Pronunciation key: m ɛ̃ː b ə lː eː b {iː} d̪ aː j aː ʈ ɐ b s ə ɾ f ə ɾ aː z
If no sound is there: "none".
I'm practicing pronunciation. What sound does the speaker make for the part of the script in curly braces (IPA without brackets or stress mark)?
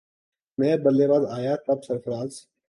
aː